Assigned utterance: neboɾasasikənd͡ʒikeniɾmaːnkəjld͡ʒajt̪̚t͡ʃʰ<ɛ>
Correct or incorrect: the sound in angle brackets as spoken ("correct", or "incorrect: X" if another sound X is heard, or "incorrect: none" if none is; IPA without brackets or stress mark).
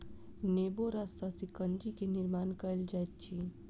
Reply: incorrect: i